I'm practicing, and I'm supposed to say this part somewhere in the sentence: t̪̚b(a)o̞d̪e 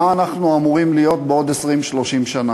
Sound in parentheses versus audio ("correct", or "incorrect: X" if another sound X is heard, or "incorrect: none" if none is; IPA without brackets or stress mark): incorrect: e